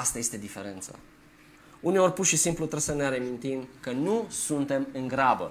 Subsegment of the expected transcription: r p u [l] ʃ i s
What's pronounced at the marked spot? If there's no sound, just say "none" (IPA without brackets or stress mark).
r